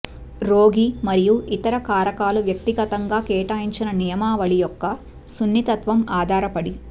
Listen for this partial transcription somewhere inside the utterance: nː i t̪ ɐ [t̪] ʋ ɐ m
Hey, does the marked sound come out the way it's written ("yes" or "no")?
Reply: yes